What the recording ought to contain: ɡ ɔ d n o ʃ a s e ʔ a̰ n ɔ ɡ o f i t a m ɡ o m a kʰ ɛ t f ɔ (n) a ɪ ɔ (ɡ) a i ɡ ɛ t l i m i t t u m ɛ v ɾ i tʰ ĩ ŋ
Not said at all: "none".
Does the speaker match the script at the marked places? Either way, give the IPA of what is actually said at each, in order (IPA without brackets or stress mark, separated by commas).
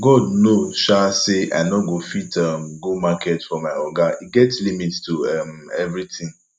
m, ɡ